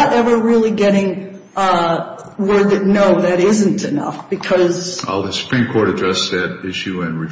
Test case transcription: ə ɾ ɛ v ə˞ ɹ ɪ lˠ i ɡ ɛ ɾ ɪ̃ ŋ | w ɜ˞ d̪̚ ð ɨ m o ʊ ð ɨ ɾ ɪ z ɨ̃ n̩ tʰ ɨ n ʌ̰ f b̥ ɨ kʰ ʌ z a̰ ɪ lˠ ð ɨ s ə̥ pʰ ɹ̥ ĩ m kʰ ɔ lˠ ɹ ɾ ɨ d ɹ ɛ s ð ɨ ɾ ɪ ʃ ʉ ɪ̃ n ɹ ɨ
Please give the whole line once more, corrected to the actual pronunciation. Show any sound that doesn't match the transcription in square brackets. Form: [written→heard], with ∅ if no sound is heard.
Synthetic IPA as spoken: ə ɾ ɛ v ə˞ ɹ ɪ lˠ i ɡ ɛ ɾ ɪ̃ ŋ | w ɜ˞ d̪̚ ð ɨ [m→n] o ʊ ð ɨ ɾ ɪ z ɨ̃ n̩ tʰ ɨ n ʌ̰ f b̥ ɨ kʰ ʌ z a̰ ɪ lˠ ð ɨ s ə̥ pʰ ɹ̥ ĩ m kʰ ɔ [lˠ→∅] ɹ ɾ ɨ d ɹ ɛ s ð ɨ ɾ ɪ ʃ ʉ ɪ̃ n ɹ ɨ

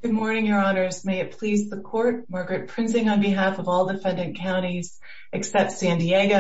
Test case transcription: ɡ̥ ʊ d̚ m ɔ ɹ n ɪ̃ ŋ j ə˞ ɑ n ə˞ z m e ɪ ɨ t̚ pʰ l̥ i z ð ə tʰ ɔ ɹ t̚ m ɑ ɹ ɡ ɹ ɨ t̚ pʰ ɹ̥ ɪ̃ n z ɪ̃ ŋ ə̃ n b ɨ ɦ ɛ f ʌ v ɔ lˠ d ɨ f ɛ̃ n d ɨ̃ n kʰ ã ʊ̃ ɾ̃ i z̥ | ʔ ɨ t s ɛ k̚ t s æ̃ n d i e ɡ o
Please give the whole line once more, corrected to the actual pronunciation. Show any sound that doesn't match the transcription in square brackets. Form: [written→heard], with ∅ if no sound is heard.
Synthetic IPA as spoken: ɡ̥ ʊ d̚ m ɔ ɹ n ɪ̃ ŋ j ə˞ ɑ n ə˞ z m e ɪ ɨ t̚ pʰ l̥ i z ð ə [tʰ→kʰ] ɔ ɹ t̚ m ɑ ɹ ɡ ɹ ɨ t̚ pʰ ɹ̥ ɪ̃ n z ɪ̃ ŋ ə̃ n b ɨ ɦ [ɛ→æ] f ʌ v ɔ lˠ d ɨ f ɛ̃ n d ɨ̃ n kʰ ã ʊ̃ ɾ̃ i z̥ | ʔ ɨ [t→k] s ɛ [k̚→p̚] t s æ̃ n d i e ɡ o

